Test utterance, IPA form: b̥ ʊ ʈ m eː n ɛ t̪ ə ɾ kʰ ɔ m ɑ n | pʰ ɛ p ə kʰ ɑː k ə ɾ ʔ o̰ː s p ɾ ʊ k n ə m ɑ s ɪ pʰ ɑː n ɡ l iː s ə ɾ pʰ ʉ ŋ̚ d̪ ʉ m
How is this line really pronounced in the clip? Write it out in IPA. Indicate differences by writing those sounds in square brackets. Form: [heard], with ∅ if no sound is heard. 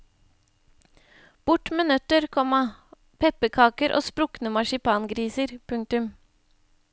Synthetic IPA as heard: b̥ ʊ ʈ m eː n [œ] t̪ ə ɾ kʰ ɔ m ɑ [∅] | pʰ ɛ p ə kʰ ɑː k ə ɾ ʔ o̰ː s p ɾ ʊ k n ə m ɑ [ʃ] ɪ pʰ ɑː n ɡ [ɾ] iː s ə ɾ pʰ ʉ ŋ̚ [t̪] ʉ m

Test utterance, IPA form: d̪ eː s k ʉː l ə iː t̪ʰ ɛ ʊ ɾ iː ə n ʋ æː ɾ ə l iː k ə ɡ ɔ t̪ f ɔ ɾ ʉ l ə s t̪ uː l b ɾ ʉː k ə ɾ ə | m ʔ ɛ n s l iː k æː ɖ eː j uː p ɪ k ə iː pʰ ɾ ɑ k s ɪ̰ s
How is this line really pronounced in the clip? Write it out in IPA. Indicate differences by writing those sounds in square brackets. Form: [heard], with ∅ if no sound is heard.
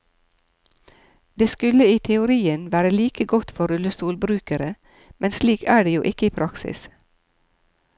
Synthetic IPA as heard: d̪ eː s k [ʉ] l ə iː t̪ʰ ɛ ʊ ɾ iː ə n ʋ æː ɾ ə l iː k ə ɡ ɔ t̪ f ɔ ɾ ʉ l ə s t̪ uː l b ɾ ʉː k ə ɾ ə | m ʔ ɛ n s l iː k æː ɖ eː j uː [ʔ] ɪ k ə iː pʰ ɾ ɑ k s ɪ̰ s

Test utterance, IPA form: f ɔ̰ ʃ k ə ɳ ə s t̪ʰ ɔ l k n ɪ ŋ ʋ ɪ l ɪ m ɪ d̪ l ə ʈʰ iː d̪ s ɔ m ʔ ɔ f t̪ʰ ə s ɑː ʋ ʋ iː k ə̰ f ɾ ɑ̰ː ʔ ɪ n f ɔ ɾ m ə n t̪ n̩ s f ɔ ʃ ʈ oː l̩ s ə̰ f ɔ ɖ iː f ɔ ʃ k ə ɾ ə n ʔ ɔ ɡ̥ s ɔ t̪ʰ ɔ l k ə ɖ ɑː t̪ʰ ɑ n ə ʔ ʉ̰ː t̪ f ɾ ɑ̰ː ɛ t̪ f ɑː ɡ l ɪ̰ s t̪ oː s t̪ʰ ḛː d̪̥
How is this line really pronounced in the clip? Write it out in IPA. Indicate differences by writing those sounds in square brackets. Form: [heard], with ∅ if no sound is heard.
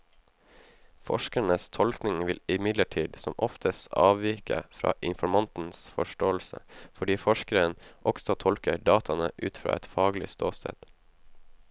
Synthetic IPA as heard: f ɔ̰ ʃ k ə ɳ ə s t̪ʰ ɔ l k n ɪ ŋ ʋ ɪ l ɪ m ɪ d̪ l ə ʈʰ iː d̪ s ɔ m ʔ ɔ f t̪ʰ ə s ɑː ʋ ʋ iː k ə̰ f ɾ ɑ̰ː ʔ ɪ n f ɔ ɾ m [ɑ] n t̪ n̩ s f ɔ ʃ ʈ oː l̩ s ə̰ f ɔ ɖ iː f ɔ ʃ k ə ɾ ə n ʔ ɔ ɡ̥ s ɔ t̪ʰ ɔ l k ə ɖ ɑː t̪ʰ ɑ n ə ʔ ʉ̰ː t̪ f ɾ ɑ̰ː ɛ t̪ f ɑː ɡ l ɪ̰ s t̪ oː s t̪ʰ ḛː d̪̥

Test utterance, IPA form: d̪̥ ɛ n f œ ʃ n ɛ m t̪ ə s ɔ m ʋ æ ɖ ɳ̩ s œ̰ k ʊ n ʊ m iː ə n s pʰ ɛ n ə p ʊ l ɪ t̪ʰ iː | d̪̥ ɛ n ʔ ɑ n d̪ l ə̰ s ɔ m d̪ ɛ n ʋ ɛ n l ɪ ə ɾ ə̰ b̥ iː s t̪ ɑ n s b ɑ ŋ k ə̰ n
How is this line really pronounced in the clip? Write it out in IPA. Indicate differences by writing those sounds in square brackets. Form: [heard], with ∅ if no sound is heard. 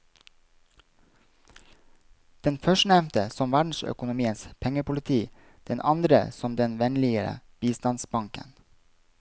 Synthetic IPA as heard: d̪̥ ɛ n f œ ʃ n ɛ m t̪ ə s ɔ m ʋ æ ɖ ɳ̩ s œ̰ k ʊ n ʊ m iː ə n s pʰ ɛ [ŋ] ə p ʊ l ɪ t̪ʰ iː | d̪̥ ɛ n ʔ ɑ n d̪ [ɾ] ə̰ s ɔ m d̪ ɛ n ʋ ɛ n l ɪ ə ɾ ə̰ b̥ iː s t̪ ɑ n s b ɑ ŋ k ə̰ n

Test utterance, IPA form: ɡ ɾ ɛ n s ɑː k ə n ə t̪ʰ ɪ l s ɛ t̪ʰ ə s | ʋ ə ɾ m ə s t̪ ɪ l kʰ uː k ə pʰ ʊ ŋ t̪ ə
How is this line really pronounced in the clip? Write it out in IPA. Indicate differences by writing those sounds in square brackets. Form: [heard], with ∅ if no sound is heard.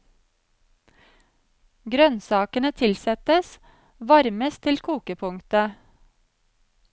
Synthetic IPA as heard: ɡ ɾ [œ] n s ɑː k ə n ə t̪ʰ ɪ l s ɛ [t̪] ə s | ʋ [ɑ] ɾ m ə s [t̪ʰ] ɪ l kʰ uː k ə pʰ ʊ ŋ t̪ ə

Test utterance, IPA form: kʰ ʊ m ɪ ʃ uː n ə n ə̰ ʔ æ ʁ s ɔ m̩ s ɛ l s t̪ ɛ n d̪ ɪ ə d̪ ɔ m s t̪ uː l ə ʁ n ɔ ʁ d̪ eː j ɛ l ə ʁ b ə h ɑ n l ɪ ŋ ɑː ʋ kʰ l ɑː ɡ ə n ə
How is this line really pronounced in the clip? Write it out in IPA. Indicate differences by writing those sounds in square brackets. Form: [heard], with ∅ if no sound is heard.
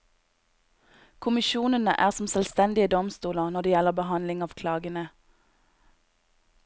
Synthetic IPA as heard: kʰ ʊ m ɪ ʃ uː n ə n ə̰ ʔ [æː] ʁ s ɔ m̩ s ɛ l s t̪ ɛ n d̪ ɪ ə d̪ ɔ m s t̪ uː l ə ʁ n ɔ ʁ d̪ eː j ɛ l ə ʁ b ə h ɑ n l ɪ ŋ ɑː ʋ kʰ l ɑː ɡ ə n ə

